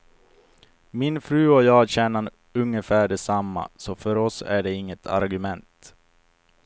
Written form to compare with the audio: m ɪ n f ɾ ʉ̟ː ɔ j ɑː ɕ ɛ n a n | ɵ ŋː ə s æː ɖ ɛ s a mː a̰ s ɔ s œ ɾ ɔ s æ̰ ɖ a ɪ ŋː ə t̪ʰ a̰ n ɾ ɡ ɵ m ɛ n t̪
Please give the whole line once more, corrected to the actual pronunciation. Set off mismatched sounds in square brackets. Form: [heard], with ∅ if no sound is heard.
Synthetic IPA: m ɪ n f ɾ ʉ̟ː ɔ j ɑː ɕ ɛ n a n | ɵ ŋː ə [f] æː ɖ ɛ s a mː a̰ s ɔ [f] œ ɾ ɔ s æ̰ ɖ [ɛ] ɪ ŋː ə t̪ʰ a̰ [∅] ɾ ɡ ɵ m ɛ n t̪